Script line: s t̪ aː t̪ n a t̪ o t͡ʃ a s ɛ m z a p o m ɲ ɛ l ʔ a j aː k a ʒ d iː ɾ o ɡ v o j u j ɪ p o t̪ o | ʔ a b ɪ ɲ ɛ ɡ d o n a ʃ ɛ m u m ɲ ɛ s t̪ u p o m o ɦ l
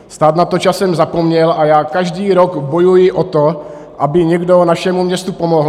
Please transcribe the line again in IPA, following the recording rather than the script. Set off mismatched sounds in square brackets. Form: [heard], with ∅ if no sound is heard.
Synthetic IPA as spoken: s t̪ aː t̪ n a t̪ o t͡ʃ a s ɛ m z a p o m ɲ ɛ l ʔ a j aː k a ʒ d iː ɾ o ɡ [b] o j u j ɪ [ʔ] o t̪ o | ʔ a b ɪ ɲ ɛ ɡ d o n a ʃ ɛ m u m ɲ ɛ s t̪ u p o m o ɦ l

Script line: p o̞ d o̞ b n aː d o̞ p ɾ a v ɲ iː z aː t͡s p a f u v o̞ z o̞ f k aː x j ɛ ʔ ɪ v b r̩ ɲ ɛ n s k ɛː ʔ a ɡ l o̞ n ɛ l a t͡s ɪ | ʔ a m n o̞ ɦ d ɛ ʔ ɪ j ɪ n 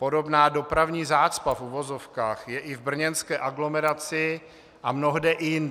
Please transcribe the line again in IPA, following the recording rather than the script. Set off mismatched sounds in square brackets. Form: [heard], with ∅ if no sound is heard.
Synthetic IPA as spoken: p o̞ d o̞ b n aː d o̞ p ɾ a v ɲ iː z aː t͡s p a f u v o̞ z o̞ f k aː x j ɛ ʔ ɪ v b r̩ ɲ ɛ n s k ɛː ʔ a ɡ l o̞ [m] ɛ [ɾ] a t͡s ɪ | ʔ a m n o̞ ɦ d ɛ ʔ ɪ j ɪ n

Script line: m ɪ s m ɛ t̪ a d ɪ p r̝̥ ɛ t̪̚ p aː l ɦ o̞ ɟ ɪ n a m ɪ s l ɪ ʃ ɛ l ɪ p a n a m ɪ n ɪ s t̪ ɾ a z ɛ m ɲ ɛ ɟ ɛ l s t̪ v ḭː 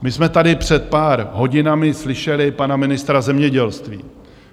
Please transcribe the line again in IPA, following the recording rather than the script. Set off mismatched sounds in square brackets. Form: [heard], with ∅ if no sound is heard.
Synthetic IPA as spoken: m ɪ s m ɛ t̪ a d ɪ p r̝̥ ɛ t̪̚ p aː [ɾ] ɦ o̞ ɟ ɪ n a m ɪ s l ɪ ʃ ɛ l ɪ p a n a m ɪ n ɪ s t̪ ɾ a z ɛ m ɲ ɛ ɟ ɛ l s t̪ v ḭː

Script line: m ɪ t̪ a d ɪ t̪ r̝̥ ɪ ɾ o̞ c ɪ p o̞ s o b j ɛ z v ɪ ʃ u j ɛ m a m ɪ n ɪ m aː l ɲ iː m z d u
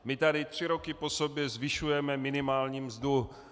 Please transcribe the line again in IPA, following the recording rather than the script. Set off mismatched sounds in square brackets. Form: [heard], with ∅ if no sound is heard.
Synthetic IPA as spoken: m ɪ t̪ a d ɪ t̪ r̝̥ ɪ ɾ o̞ [k] ɪ p o̞ s o b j ɛ z v ɪ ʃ u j ɛ m [ɛ] m ɪ n ɪ m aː l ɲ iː m z d u

